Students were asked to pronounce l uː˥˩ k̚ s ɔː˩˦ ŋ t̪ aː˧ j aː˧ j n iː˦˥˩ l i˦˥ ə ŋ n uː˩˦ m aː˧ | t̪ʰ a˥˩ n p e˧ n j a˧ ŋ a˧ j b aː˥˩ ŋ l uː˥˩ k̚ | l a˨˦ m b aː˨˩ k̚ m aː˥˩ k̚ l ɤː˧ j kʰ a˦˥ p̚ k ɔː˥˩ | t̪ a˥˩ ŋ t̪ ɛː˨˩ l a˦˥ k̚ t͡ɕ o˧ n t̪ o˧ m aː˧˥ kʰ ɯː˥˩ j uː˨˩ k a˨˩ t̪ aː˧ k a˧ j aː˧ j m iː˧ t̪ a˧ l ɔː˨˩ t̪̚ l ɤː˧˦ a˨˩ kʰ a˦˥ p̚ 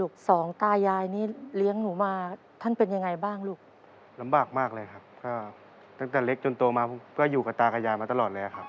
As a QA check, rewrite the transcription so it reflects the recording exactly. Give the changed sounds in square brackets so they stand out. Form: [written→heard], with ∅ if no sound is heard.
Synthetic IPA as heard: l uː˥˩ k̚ s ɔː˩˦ ŋ t̪ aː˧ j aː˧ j n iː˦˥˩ l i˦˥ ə ŋ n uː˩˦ m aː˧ | t̪ʰ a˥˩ n p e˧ n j a˧ ŋ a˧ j b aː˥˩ ŋ l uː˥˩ k̚ | l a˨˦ m b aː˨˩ k̚ m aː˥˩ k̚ l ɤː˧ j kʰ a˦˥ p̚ k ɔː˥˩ | t̪ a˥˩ ŋ t̪ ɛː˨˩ l [a˦˥→e˦˥] k̚ t͡ɕ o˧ n t̪ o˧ m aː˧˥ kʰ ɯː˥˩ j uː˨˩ k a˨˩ t̪ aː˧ k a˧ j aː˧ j m [iː˧→aː˧] t̪ a˧ l ɔː˨˩ t̪̚ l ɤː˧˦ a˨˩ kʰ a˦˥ p̚